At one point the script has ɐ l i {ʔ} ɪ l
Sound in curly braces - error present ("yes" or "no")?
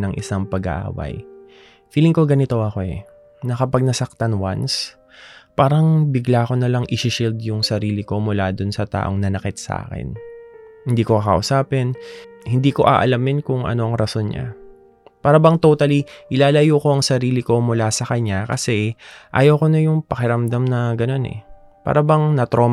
no